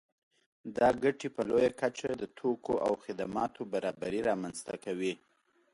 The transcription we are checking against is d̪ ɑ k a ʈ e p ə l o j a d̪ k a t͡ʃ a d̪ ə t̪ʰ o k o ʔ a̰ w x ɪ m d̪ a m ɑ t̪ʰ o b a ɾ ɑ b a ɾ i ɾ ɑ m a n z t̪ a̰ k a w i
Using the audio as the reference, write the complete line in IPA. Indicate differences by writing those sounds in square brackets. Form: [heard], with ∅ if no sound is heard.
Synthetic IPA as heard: d̪ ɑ [ɡ] a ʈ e p ə l o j a [∅] k a t͡ʃ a d̪ ə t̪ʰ o k o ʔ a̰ w x ɪ [∅] d̪ a m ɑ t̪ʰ o b a ɾ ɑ b a ɾ i ɾ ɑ m a n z t̪ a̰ k a w i